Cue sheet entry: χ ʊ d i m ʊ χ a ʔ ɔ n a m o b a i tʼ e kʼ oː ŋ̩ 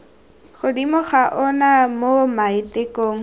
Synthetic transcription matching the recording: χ ʊ d i m ʊ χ a ʔ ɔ n a m o m a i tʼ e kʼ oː ŋ̩